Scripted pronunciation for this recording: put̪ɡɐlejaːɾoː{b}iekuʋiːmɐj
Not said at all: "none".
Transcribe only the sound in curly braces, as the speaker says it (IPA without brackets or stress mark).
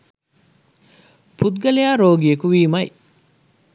ɡ